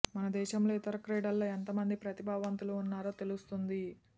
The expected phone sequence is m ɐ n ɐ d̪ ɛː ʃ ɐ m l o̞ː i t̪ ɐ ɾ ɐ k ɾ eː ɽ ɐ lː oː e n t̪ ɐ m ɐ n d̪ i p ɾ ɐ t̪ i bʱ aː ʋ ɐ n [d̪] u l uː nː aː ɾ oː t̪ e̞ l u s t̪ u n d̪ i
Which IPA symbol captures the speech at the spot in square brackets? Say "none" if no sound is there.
t̪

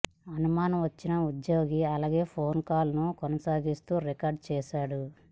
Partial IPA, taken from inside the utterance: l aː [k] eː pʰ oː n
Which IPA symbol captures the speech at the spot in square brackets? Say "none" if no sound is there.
ɡ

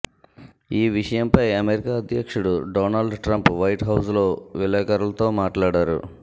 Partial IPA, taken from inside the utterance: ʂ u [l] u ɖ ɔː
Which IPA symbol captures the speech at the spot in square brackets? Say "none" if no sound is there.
ɽ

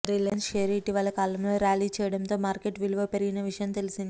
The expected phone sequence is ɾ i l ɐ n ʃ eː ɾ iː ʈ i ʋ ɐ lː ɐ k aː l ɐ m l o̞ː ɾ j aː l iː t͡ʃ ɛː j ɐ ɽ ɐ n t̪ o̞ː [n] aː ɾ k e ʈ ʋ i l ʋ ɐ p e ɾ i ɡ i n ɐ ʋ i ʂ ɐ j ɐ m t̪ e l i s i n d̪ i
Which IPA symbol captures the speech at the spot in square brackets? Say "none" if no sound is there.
m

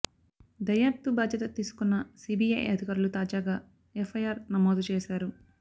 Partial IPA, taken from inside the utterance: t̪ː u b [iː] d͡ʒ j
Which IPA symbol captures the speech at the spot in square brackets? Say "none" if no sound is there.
aː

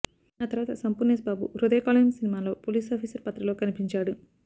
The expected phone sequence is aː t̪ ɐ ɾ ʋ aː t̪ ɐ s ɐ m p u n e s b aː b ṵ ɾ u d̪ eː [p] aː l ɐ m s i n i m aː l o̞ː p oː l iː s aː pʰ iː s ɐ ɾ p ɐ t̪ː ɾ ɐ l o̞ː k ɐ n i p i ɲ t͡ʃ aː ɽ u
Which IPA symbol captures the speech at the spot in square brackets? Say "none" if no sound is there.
k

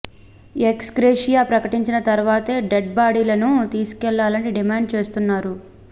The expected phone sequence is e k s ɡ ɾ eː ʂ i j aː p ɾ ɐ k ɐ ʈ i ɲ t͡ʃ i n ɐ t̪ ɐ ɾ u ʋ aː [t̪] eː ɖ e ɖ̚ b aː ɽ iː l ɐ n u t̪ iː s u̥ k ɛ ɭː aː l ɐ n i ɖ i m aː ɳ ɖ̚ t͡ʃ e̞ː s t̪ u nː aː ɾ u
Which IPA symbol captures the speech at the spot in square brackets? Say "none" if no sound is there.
t̪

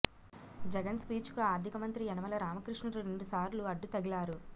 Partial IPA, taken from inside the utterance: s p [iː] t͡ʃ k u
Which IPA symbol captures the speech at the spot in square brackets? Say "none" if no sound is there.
iː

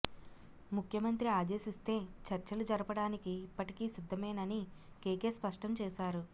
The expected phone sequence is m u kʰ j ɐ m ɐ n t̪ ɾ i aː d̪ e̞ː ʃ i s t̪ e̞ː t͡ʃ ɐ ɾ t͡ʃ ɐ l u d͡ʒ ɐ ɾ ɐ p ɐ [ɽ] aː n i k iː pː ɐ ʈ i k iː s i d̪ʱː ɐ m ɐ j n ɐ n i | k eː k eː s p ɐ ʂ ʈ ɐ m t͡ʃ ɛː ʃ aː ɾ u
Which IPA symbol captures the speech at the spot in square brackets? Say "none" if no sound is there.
ɽ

